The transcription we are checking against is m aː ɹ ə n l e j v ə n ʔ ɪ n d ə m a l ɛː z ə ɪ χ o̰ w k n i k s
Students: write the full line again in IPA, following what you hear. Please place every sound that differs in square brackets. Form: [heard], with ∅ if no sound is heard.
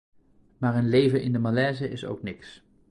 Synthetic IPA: m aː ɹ ə n l e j v ə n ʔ ɪ n d ə m a l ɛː z ə ɪ [s] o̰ w k n [ɪ] k s